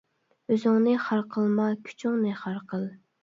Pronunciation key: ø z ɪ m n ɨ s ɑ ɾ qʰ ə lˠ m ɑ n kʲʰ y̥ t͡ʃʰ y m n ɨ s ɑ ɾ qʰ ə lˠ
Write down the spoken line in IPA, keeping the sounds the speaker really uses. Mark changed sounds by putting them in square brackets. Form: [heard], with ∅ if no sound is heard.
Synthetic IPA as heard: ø z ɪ [ŋ] n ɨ [χ] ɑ ɾ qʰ ə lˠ m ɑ [∅] kʲʰ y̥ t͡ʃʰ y [ŋ] n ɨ [χ] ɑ ɾ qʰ ə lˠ